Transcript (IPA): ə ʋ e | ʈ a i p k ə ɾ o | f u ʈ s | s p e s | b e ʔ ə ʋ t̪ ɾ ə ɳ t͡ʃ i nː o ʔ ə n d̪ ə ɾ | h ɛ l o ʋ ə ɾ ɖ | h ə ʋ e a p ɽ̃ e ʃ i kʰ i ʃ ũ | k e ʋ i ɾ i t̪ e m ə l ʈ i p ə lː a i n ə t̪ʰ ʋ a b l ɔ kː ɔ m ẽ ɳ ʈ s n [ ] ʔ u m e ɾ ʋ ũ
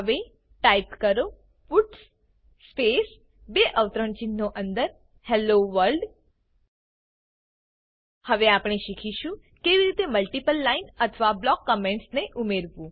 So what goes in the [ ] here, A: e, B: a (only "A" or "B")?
A